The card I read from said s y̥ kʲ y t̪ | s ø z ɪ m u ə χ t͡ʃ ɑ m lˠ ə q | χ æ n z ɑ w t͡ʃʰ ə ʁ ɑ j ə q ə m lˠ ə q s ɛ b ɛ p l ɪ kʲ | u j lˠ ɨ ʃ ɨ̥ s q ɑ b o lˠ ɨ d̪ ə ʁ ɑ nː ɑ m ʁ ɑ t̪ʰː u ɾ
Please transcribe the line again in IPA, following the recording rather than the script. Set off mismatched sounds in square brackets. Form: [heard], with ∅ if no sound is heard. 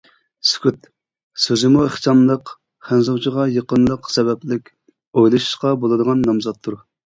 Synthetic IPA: s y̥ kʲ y t̪ | s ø z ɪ m u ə χ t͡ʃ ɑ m lˠ ə q | χ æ n z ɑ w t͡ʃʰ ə ʁ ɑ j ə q ə [n] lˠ ə q s ɛ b ɛ p l ɪ kʲ | [o] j lˠ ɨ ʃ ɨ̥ [ʃ] q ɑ b o lˠ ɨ d̪ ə ʁ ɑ nː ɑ m [z] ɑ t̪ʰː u ɾ

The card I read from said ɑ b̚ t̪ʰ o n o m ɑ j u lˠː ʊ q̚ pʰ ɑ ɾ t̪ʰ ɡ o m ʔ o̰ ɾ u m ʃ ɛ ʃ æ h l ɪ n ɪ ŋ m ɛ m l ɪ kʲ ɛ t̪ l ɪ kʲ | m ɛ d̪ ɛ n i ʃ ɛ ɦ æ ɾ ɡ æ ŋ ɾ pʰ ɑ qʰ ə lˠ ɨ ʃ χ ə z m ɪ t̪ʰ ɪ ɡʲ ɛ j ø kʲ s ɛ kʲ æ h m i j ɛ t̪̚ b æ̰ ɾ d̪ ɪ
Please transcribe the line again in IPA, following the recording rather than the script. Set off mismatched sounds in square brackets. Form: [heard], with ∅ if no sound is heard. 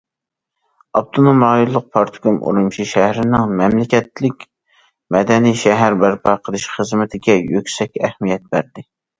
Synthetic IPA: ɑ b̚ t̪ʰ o n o m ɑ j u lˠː ʊ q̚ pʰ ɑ ɾ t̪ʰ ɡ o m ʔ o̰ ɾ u m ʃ [i] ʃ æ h [ɾ] ɪ n ɪ ŋ m ɛ m l ɪ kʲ ɛ t̪ l ɪ kʲ | m ɛ d̪ ɛ n i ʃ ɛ ɦ æ ɾ [b] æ [∅] ɾ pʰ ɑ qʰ ə lˠ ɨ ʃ χ ə z m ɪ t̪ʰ ɪ ɡʲ ɛ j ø kʲ s ɛ kʲ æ h m i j ɛ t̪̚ b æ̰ ɾ d̪ ɪ

